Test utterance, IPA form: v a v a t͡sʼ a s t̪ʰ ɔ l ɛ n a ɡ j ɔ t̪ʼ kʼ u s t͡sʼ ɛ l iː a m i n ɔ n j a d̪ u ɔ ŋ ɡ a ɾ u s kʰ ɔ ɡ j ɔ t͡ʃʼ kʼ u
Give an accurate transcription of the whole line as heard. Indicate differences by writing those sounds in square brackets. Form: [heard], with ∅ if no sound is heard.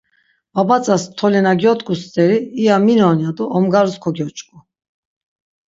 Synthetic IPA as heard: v a [b] a t͡sʼ a s t̪ʰ ɔ l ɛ n a ɡ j ɔ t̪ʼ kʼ u s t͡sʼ ɛ [ɾ] iː a m i n ɔ n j a d̪ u ɔ [m] ɡ a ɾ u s kʰ ɔ ɡ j ɔ t͡ʃʼ kʼ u

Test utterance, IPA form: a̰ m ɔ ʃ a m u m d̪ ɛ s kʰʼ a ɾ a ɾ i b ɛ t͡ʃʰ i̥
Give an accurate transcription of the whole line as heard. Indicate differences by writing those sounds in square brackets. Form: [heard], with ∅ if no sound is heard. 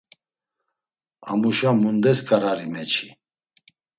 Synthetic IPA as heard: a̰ m [u] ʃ a m u [n] d̪ ɛ s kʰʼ a ɾ a ɾ i [m] ɛ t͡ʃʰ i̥

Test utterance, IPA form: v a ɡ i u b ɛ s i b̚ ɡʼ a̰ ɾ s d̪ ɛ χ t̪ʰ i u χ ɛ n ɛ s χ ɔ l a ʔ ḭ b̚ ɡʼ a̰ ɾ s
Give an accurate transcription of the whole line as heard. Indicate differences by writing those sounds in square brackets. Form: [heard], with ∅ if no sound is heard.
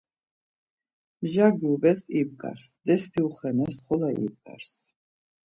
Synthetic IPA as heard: [ʒ] a ɡ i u b ɛ s i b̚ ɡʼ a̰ ɾ s d̪ ɛ [s] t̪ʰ i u χ ɛ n ɛ s χ ɔ l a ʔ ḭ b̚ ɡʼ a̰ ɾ s

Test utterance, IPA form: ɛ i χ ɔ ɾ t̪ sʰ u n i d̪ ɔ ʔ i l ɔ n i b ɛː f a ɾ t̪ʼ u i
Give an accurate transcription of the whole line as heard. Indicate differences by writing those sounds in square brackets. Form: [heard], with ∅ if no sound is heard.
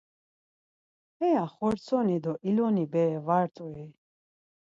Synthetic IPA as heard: ɛ [a] χ ɔ ɾ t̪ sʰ [ɔ] n i d̪ ɔ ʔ i l ɔ n i b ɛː [v] a ɾ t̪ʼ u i

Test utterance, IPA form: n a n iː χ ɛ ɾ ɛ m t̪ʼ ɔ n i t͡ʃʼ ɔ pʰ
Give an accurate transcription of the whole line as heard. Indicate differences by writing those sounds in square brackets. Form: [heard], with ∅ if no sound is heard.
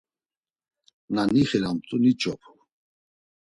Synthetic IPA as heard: n a n [i] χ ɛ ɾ [a] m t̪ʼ [u] n i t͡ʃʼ ɔ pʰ

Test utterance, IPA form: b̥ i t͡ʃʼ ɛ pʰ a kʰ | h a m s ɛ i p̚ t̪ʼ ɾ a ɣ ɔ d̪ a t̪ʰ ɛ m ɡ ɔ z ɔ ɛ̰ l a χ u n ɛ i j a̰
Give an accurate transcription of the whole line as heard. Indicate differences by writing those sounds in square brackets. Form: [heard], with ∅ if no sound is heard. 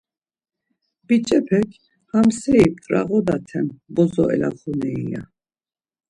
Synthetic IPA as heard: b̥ i t͡ʃʼ ɛ pʰ [ɛ] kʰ | h a m s ɛ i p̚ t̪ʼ ɾ a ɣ ɔ d̪ a t̪ʰ ɛ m [b] ɔ z ɔ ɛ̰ l a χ u n ɛ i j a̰

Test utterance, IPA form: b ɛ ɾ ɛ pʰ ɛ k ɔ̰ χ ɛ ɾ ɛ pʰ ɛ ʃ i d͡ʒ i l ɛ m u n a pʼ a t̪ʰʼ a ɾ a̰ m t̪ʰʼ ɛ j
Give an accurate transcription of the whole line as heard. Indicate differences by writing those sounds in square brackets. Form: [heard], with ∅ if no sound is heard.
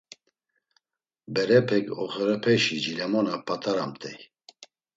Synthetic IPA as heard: b ɛ ɾ ɛ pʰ ɛ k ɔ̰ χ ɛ ɾ ɛ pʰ ɛ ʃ i d͡ʒ i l ɛ m [ɔ] n a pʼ a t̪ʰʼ a ɾ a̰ m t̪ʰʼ ɛ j

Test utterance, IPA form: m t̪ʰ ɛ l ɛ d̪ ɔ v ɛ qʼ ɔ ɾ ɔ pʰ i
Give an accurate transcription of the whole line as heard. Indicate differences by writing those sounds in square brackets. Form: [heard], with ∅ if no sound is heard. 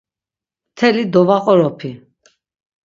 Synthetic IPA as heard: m t̪ʰ ɛ l [i] d̪ ɔ v [a] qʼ ɔ ɾ ɔ pʰ i

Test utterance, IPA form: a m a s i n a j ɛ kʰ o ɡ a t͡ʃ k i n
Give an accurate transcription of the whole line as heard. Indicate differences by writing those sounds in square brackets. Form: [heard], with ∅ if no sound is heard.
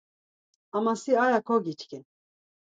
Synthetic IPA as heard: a m a s i [∅] a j [a] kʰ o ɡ [i] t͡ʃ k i n

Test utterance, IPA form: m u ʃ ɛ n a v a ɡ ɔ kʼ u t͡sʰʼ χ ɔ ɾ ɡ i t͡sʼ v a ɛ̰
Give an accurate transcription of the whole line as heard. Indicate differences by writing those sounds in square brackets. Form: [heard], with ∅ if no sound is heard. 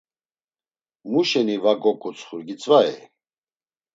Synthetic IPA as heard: m u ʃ ɛ n [i] v a ɡ ɔ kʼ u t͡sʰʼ χ [u] ɾ ɡ i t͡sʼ v a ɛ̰

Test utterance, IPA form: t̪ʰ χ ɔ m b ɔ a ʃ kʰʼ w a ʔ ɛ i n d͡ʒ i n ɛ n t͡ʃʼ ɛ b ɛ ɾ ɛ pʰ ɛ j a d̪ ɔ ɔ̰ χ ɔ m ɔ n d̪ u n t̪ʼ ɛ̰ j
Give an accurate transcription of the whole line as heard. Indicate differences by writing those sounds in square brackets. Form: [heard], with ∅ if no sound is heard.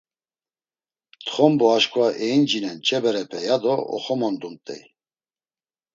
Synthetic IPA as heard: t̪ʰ χ ɔ m b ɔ a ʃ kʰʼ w a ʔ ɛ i n d͡ʒ i n ɛ n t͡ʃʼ ɛ b ɛ ɾ ɛ pʰ ɛ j a d̪ ɔ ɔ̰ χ ɔ m ɔ n d̪ u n t̪ʼ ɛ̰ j

